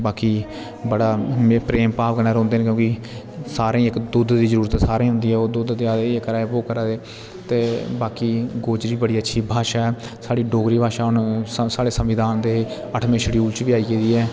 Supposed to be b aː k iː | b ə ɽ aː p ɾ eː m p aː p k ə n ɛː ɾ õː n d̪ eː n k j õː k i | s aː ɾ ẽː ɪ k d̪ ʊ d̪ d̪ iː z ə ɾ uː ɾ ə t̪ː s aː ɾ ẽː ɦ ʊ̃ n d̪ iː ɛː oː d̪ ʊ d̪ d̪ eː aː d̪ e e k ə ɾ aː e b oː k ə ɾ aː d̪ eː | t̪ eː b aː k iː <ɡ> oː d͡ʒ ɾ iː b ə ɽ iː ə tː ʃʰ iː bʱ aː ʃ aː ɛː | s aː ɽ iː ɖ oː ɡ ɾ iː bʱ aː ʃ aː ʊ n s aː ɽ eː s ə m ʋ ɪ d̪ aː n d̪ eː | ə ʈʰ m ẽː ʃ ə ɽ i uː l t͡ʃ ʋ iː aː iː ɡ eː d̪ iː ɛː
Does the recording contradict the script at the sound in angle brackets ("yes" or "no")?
no